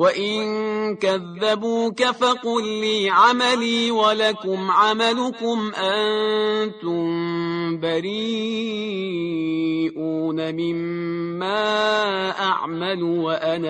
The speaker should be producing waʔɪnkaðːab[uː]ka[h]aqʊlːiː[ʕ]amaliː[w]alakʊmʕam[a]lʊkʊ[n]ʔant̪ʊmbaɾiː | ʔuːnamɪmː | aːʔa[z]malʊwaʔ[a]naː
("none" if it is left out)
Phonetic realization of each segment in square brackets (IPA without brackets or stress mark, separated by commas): uː, f, ʕ, w, a, m, ʕ, a